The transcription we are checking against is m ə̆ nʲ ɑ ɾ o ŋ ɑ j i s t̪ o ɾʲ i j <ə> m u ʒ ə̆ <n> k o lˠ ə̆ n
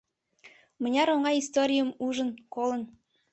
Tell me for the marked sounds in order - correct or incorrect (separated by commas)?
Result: correct, correct